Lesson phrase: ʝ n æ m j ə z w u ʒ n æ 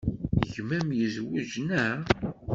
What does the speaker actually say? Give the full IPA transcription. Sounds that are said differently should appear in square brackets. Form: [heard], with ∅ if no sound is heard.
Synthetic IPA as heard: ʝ [m] æ m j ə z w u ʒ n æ